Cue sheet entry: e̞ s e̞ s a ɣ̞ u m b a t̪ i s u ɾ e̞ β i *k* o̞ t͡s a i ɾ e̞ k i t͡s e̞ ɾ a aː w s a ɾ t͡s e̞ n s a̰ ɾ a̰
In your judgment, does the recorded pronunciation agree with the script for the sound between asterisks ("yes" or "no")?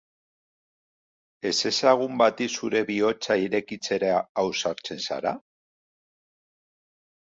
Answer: no